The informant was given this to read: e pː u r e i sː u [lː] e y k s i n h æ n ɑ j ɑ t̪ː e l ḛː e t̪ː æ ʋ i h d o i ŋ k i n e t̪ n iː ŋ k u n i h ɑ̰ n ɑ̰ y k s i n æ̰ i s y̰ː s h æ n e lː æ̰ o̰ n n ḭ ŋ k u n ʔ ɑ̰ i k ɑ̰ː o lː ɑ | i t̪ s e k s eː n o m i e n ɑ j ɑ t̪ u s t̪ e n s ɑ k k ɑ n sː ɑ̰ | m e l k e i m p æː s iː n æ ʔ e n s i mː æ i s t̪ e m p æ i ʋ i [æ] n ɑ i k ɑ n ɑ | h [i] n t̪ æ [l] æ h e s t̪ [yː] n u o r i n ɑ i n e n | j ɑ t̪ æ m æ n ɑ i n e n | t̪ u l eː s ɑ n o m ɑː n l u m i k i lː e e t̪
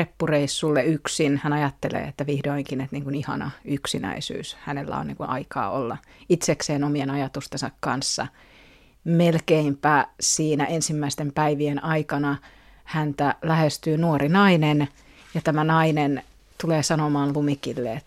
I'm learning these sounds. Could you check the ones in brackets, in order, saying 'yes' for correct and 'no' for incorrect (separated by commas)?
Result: yes, no, no, yes, yes